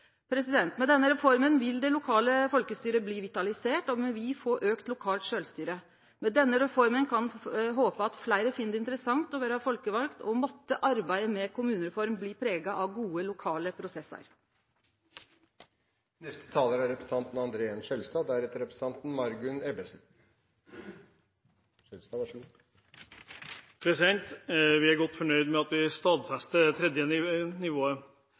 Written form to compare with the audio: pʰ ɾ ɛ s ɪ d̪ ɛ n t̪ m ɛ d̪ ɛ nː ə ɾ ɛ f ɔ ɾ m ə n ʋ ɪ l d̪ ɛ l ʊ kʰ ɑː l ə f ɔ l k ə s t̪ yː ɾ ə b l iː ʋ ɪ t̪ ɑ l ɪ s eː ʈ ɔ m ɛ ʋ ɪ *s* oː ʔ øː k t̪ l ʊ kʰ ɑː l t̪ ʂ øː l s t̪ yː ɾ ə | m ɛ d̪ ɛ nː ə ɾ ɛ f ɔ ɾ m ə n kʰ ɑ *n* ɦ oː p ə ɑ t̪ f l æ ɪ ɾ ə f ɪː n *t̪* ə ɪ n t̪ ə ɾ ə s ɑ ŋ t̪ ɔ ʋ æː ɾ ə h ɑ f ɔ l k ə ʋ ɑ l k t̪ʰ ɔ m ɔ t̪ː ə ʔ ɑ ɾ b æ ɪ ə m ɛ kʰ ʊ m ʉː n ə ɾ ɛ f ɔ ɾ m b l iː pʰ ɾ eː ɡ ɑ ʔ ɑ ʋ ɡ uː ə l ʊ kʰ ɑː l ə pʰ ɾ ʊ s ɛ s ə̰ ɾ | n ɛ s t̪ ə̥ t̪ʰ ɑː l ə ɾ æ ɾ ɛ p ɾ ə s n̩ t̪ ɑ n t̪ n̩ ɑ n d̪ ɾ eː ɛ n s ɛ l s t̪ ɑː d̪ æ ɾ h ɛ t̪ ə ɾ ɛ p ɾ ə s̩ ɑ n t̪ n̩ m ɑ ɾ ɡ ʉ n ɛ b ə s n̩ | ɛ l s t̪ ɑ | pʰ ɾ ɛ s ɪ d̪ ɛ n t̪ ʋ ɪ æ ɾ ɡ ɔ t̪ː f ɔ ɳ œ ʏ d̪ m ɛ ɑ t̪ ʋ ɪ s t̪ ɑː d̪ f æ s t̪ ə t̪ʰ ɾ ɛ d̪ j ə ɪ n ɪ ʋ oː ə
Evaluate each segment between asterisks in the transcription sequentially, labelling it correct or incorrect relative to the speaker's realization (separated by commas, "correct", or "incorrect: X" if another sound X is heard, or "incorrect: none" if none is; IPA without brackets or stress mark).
incorrect: f, correct, incorrect: d̪